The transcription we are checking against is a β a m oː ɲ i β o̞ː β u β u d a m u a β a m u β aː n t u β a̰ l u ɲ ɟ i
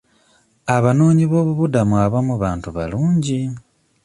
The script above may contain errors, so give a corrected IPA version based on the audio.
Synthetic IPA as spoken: a β a n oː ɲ i β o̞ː β u β u d a m u a β a m u β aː n t u β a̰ l uː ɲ ɟ i